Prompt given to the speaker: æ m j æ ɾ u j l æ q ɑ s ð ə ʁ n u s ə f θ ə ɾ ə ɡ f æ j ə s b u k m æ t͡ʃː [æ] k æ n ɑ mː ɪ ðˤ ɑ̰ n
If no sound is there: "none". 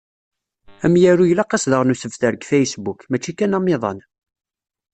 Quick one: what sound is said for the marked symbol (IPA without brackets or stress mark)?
i